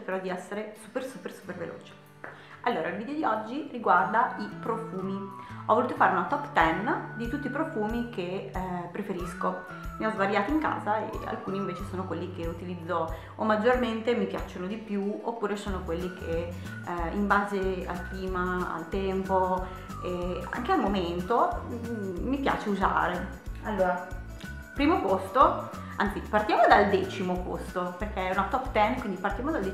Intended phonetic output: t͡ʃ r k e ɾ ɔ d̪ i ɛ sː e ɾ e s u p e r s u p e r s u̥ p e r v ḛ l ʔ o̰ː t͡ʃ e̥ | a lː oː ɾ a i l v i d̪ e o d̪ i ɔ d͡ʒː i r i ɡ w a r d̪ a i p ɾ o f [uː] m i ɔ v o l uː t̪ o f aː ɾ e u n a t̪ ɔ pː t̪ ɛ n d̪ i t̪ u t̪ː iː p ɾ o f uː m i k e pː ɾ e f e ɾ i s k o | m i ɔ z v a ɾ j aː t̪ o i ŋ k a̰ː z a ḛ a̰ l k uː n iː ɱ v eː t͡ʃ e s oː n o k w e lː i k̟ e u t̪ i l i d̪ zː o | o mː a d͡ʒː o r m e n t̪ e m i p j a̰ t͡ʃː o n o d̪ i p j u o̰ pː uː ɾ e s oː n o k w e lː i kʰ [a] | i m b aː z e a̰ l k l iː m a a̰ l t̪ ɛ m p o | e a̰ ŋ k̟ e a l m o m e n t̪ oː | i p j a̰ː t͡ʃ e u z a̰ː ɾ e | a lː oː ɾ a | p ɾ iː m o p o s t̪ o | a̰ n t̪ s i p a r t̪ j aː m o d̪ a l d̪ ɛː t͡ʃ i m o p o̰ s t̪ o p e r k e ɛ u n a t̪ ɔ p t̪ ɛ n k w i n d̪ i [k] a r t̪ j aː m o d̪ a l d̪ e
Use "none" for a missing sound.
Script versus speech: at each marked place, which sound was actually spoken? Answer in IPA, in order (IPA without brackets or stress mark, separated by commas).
uː, e, p